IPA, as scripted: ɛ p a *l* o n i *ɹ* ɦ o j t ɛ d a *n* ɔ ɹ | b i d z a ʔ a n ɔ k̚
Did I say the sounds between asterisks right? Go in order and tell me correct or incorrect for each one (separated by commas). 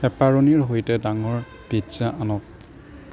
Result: incorrect, correct, incorrect